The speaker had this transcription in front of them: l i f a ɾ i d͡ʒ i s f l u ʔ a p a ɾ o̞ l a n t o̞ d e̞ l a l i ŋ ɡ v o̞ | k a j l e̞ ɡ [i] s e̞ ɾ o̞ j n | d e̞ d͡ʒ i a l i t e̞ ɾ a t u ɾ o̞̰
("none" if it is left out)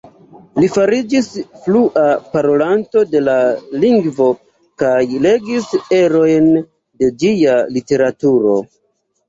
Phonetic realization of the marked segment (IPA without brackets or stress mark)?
i